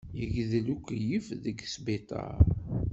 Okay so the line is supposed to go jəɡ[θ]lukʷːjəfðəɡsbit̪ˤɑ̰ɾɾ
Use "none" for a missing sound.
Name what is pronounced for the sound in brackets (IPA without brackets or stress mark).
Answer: ð